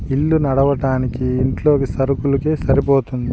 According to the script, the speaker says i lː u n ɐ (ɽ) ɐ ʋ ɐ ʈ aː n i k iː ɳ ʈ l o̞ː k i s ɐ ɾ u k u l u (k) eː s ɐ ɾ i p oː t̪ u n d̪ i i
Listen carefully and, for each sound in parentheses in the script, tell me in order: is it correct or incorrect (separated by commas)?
correct, correct